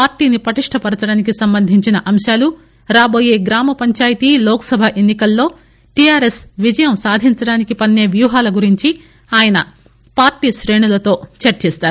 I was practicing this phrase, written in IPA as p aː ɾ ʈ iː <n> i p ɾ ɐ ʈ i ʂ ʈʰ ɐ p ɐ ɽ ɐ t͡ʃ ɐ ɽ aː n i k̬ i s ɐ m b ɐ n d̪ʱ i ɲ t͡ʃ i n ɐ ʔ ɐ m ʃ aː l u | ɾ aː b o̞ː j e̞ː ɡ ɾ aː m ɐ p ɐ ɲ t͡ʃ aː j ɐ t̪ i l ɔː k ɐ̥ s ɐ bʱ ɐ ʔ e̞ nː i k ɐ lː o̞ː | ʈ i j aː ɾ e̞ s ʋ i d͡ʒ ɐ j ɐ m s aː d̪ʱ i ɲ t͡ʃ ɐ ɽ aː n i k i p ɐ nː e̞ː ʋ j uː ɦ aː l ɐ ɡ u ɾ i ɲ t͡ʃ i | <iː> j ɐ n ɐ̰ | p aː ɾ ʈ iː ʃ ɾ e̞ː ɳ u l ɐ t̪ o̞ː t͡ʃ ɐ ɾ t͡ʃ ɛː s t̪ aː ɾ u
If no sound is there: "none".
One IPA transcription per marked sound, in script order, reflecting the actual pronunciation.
n, aː

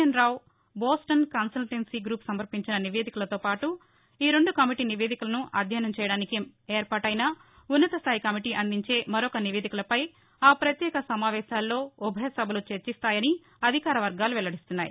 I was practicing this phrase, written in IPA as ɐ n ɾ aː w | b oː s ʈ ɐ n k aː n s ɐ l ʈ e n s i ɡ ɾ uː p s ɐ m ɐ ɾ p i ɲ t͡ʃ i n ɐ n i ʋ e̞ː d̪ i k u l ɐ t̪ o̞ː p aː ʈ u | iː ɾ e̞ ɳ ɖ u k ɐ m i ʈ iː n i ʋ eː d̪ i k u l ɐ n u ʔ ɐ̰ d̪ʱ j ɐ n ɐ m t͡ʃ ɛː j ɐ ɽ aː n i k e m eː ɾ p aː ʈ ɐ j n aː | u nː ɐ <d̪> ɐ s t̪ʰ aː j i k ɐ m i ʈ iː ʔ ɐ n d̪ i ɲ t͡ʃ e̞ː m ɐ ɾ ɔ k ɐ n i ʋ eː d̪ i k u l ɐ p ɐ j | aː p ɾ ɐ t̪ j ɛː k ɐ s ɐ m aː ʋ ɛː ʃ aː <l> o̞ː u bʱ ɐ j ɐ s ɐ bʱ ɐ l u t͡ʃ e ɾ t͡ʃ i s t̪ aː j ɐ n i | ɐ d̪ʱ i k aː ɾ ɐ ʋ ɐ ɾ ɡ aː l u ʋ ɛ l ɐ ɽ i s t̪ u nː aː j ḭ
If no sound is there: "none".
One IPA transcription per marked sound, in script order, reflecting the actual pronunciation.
t̪, lː

